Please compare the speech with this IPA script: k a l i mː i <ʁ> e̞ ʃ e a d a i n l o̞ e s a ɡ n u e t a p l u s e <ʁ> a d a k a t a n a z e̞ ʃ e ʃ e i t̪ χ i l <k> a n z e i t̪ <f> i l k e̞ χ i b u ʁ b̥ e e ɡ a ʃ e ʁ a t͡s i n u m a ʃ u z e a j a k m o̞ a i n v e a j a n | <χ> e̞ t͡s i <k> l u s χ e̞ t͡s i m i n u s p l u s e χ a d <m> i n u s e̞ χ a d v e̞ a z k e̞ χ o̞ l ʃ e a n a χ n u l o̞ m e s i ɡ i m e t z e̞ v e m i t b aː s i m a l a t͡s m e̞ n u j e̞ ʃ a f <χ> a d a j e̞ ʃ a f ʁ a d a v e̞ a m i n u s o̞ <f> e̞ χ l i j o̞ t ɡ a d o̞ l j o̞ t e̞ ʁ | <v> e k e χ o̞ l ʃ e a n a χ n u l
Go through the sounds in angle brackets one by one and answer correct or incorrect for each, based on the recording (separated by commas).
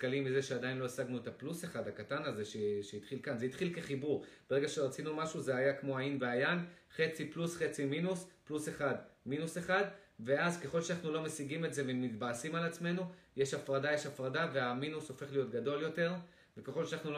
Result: incorrect, incorrect, correct, incorrect, correct, incorrect, correct, incorrect, correct, correct